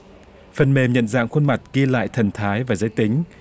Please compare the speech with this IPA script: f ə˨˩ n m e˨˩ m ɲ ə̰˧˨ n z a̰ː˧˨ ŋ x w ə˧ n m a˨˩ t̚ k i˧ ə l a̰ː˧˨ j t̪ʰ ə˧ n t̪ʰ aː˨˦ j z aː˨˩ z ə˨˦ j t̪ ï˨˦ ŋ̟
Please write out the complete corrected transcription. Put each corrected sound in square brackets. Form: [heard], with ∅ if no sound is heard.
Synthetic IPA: f ə˨˩ n m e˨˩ m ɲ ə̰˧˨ n z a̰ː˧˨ ŋ x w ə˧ n m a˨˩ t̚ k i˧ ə l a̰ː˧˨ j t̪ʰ [ə˨˩] n t̪ʰ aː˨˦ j [v] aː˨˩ z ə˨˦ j t̪ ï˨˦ ŋ̟